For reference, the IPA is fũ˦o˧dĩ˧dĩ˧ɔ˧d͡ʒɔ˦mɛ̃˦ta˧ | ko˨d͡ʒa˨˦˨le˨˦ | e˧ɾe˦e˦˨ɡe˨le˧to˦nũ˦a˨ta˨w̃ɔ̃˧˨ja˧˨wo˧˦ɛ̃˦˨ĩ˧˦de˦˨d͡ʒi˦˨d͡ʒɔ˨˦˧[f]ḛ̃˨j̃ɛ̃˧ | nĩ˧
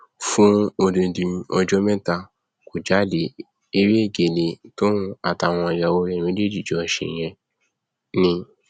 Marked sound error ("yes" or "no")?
yes